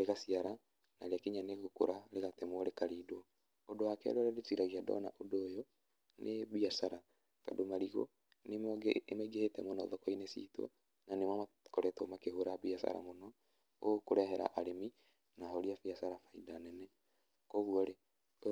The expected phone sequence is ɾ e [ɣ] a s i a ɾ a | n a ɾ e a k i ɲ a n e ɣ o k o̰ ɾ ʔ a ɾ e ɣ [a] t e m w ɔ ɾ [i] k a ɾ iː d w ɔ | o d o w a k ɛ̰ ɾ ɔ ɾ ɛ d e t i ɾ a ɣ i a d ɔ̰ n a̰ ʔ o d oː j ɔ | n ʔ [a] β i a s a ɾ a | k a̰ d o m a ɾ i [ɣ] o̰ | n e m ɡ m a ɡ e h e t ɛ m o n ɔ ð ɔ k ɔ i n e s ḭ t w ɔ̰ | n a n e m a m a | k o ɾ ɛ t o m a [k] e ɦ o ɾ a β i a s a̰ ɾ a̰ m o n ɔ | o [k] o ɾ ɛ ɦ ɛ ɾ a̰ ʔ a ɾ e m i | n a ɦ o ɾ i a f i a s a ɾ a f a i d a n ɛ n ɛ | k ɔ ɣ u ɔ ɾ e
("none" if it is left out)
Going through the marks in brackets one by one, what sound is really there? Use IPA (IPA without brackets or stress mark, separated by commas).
ɣ, a, e, e, ɣ, k, k